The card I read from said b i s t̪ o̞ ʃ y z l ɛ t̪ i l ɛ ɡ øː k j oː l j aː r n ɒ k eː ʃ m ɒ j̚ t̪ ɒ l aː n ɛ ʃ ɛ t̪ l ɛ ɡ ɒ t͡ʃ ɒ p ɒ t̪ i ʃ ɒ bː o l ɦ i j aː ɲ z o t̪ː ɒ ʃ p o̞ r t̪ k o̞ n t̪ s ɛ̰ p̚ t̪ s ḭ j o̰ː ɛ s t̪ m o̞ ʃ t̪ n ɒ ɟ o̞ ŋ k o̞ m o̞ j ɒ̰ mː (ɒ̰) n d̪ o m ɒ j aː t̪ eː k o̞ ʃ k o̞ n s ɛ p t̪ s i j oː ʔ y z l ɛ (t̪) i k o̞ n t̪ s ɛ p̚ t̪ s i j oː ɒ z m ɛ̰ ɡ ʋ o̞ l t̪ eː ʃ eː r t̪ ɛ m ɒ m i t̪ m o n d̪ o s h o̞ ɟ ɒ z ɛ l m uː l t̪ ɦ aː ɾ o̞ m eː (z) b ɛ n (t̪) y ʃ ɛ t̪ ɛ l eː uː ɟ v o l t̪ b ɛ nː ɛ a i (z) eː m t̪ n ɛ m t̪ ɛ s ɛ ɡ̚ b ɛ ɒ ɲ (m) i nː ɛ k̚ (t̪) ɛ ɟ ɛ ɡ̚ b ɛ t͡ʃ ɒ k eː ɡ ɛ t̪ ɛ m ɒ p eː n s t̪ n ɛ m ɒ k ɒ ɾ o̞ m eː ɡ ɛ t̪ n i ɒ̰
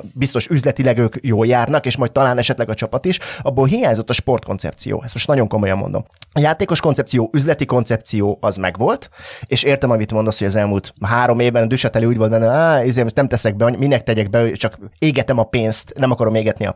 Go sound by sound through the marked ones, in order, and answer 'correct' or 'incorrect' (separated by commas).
incorrect, correct, incorrect, incorrect, correct, correct, correct